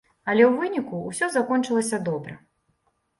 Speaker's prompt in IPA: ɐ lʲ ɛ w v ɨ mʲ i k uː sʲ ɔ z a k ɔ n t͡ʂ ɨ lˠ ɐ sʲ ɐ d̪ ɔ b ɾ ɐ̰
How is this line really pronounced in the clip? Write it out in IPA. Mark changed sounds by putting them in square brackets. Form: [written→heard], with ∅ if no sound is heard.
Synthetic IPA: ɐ lʲ ɛ w v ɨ [mʲ→nʲ] i k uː sʲ ɔ z a k ɔ n t͡ʂ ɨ lˠ ɐ sʲ ɐ d̪ ɔ b ɾ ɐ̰